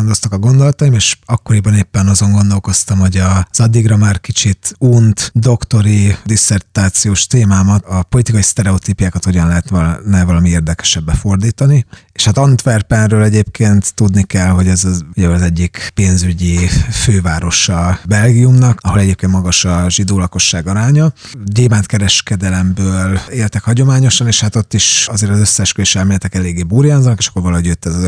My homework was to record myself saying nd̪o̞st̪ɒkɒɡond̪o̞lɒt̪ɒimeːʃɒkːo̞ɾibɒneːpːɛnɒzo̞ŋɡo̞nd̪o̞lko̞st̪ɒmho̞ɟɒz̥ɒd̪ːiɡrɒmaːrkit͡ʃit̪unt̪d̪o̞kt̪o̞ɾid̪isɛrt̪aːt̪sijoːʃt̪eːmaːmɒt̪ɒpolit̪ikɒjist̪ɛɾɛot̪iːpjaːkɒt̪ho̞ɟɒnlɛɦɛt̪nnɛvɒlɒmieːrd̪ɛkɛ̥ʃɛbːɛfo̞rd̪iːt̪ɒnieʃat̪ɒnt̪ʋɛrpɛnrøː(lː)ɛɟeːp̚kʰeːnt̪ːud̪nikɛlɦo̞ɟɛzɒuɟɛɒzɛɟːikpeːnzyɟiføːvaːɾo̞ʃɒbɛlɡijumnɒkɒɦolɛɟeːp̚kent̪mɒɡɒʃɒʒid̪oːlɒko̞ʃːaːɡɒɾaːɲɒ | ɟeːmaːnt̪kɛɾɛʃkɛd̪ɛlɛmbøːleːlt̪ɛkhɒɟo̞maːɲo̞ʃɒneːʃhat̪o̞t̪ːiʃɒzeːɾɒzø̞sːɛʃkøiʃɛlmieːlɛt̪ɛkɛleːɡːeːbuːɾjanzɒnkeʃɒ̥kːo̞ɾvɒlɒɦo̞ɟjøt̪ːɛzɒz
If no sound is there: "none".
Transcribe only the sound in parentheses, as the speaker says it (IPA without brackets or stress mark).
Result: l